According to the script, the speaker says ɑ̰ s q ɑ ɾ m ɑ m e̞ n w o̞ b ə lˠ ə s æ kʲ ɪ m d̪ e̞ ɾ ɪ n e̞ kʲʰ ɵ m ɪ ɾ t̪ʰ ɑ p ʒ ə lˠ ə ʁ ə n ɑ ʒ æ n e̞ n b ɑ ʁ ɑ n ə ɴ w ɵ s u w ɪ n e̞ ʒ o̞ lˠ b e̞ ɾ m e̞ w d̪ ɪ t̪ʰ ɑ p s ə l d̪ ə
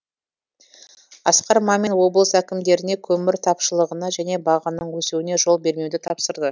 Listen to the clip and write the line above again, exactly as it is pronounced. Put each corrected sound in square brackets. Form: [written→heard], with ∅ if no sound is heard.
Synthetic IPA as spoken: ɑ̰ s q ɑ ɾ m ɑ m e̞ n w o̞ b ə lˠ ə s æ kʲ ɪ m d̪ e̞ ɾ ɪ n e̞ kʲʰ ɵ m ɪ ɾ t̪ʰ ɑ p [ʒ→ʃ] ə lˠ ə ʁ ə n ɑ ʒ æ n e̞ [n→∅] b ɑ ʁ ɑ n ə ɴ w ɵ s u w ɪ n e̞ ʒ o̞ lˠ b e̞ ɾ m e̞ w d̪ ɪ t̪ʰ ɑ p s ə [l→ɾ] d̪ ə